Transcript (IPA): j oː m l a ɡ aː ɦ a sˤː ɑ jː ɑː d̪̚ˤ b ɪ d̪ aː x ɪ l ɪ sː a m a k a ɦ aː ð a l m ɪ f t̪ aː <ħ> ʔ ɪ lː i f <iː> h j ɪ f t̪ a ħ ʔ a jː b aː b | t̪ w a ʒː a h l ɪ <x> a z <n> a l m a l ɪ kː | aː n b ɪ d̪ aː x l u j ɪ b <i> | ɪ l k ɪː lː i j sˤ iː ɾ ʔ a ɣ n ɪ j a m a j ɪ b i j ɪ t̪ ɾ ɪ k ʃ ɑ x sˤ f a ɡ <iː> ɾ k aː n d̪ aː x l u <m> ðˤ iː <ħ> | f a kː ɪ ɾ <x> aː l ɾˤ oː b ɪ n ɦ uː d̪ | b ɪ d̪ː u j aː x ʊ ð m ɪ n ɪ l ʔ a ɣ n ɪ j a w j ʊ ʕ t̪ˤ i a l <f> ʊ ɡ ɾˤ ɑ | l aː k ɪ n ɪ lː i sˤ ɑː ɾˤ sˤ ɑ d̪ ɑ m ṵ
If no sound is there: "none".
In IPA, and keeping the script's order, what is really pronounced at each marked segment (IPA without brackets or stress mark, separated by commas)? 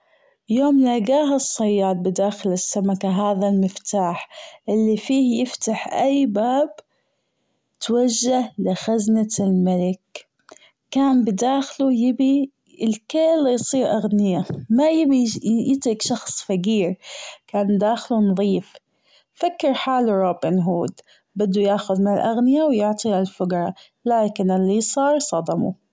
ħ, iː, x, n, i, iː, n, f, ħ, f